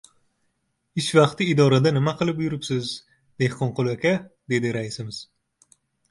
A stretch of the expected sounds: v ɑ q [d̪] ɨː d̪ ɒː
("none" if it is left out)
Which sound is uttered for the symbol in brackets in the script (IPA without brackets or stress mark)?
t̪